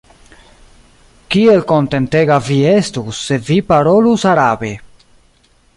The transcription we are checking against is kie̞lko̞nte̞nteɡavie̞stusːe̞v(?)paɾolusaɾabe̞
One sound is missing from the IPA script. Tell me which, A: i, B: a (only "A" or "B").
A